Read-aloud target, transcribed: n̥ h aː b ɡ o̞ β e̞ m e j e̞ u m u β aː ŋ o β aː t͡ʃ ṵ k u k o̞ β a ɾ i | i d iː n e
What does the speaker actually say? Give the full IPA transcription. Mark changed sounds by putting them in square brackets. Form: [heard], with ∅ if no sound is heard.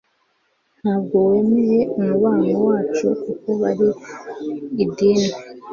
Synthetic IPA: n̥ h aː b ɡ o̞ [w] e̞ m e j e̞ u m u β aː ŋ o [w] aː t͡ʃ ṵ k u k o̞ β a ɾ i | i d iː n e